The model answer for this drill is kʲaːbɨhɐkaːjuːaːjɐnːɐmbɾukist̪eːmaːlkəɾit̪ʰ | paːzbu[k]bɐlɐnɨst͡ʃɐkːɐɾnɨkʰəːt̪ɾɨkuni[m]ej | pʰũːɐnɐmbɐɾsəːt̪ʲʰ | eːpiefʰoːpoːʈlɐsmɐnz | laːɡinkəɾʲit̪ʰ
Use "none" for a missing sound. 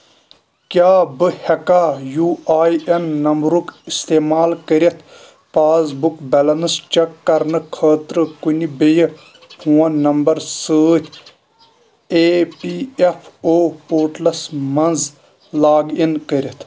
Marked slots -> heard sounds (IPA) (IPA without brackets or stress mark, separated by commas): k, b